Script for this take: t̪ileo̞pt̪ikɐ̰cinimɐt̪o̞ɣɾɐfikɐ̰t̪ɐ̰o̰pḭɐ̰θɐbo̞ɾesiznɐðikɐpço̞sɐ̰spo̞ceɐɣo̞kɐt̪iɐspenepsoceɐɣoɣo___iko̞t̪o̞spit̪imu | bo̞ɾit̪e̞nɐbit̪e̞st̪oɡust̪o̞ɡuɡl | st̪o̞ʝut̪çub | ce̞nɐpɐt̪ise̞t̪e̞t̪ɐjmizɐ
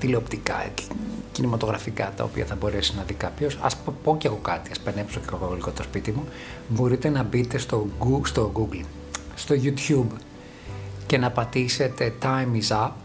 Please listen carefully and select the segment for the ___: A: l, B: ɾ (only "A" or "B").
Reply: A